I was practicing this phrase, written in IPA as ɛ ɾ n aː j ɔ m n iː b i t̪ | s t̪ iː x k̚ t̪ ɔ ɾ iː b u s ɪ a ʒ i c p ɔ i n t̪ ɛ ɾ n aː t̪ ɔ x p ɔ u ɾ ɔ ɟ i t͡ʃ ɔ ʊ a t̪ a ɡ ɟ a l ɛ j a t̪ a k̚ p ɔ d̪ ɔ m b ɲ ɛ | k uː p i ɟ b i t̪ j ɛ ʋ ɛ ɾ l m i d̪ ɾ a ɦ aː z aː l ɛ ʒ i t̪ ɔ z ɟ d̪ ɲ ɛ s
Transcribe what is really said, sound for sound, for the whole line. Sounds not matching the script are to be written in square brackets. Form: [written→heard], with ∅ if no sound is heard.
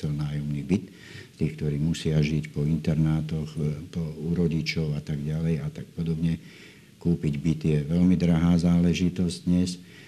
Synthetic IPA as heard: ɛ [ɾ→l] n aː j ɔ m n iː b i t̪ | s t̪ iː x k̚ t̪ ɔ ɾ iː [b→m] u s ɪ a ʒ i c p ɔ i n t̪ ɛ ɾ n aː t̪ ɔ x p ɔ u ɾ ɔ ɟ i t͡ʃ ɔ ʊ a t̪ a ɡ ɟ a l ɛ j a t̪ a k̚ p ɔ d̪ ɔ [m→∅] b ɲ ɛ | k uː p i ɟ b i t̪ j ɛ ʋ ɛ [ɾ→∅] l m i d̪ ɾ a ɦ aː z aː l ɛ ʒ i t̪ ɔ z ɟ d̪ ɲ ɛ s